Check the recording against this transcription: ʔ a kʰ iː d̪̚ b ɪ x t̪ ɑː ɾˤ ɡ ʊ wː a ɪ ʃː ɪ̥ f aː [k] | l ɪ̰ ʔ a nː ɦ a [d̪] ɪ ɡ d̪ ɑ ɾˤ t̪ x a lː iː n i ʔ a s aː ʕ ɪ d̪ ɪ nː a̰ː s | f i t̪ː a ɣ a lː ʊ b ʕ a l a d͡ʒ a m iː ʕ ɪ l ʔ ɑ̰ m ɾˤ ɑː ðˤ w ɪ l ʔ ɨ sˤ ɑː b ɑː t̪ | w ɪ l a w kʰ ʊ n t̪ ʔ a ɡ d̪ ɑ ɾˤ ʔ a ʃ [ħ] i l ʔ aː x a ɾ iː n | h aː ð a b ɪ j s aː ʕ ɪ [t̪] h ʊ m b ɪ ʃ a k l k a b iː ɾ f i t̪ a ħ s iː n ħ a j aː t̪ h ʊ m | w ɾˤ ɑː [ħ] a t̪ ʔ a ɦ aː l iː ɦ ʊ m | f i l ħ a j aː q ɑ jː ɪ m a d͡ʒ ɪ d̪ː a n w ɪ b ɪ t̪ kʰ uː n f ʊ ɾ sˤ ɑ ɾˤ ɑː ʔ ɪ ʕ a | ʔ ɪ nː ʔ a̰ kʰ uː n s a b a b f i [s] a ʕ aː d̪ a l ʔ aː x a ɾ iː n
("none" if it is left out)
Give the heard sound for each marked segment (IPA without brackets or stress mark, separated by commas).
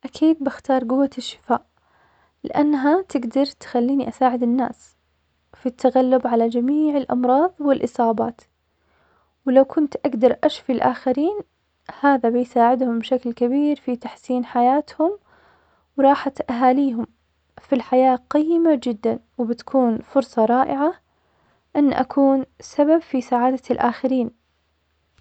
ʔ, t̪, f, d̪, ħ, s